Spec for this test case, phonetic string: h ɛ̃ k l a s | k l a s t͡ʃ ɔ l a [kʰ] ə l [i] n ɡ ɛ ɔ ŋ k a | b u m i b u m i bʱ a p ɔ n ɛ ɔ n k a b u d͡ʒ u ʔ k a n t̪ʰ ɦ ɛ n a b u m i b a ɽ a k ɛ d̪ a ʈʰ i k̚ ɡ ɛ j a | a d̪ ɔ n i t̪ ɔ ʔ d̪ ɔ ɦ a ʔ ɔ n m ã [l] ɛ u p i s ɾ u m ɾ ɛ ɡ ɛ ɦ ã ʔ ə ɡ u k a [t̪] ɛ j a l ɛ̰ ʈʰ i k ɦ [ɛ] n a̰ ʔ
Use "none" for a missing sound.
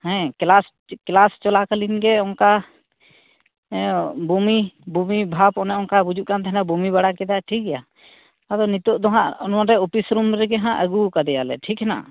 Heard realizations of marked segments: k, i, ɾ, d̪, ɛ

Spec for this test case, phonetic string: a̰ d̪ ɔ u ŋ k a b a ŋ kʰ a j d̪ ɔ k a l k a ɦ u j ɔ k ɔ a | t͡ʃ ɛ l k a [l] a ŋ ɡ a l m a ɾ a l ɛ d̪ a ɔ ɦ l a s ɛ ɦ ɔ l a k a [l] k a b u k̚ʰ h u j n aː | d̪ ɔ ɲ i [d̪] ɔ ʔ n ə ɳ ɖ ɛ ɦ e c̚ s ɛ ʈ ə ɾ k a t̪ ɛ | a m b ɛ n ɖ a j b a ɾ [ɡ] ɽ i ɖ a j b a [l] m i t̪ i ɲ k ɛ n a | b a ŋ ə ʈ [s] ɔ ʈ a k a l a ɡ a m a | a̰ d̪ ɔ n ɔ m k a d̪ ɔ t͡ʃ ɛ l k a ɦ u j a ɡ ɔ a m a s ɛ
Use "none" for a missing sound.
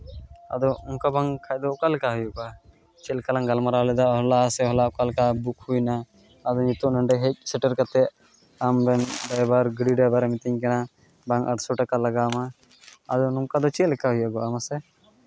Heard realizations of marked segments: l, l, t̪, ɡ, ɾ, s

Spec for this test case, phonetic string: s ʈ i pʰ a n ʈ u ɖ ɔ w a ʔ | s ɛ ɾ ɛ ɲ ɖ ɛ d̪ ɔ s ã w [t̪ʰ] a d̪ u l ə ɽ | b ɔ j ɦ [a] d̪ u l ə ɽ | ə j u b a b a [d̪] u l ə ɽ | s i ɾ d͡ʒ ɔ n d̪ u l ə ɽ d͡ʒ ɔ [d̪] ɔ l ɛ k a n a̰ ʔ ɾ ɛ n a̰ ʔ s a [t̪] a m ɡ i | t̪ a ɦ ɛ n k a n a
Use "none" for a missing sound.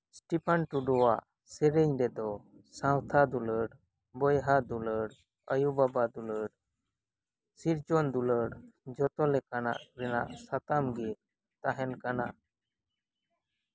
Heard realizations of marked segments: t̪ʰ, a, d̪, t̪, t̪

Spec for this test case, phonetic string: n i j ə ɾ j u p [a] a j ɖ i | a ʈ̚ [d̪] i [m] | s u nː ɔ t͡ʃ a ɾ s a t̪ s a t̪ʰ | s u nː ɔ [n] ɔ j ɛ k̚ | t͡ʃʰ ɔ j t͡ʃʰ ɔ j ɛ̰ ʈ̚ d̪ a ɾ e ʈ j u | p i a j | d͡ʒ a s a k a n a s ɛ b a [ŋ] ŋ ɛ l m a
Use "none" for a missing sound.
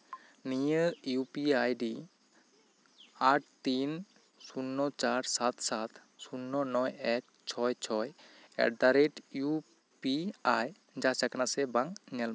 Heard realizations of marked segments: i, t̪, n, n, ŋ

